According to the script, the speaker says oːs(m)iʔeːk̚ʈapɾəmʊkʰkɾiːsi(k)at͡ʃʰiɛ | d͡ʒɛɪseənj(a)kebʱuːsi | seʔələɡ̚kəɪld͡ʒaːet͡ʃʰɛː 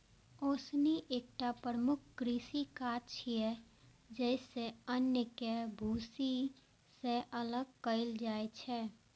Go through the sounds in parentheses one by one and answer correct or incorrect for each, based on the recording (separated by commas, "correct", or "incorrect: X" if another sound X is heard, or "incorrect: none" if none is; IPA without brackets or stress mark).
incorrect: n, correct, incorrect: ə